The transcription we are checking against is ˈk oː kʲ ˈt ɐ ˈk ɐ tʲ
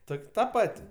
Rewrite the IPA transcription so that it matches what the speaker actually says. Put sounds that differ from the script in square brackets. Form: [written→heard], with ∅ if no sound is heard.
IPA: [ˈk→ˈt] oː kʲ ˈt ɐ [ˈk→ˈp] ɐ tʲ